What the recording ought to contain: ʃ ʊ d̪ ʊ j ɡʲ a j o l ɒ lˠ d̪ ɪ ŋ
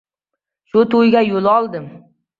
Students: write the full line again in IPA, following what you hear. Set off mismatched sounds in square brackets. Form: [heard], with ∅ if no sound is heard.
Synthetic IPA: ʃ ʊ [t̪] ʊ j ɡʲ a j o l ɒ lˠ d̪ ɪ [m]